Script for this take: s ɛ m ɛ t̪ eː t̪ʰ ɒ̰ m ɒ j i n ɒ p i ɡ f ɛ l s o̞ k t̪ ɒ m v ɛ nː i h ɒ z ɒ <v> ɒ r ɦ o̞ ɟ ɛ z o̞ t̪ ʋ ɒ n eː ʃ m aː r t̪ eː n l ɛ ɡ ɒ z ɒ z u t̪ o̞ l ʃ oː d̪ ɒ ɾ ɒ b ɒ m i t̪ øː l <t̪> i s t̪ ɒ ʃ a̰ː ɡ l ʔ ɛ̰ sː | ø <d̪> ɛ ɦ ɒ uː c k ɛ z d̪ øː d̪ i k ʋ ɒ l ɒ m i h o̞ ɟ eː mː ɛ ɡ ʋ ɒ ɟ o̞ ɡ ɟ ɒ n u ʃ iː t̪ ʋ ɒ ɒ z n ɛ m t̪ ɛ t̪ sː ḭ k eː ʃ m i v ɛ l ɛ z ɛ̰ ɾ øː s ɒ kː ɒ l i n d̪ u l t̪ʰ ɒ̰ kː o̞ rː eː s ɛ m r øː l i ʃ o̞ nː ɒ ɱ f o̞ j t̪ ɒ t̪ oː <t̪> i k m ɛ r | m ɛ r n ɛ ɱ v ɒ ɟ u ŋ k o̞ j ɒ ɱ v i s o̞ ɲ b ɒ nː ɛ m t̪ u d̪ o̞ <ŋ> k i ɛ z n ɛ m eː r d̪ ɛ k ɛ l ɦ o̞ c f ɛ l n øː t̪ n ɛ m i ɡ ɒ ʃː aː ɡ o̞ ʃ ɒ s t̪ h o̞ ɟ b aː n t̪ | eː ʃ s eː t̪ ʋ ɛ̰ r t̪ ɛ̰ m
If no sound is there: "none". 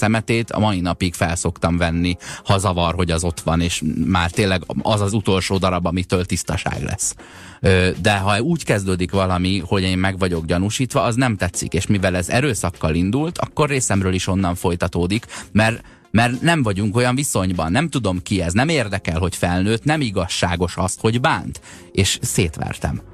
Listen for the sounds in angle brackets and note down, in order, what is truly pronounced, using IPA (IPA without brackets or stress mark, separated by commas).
v, t̪, d̪, d̪, m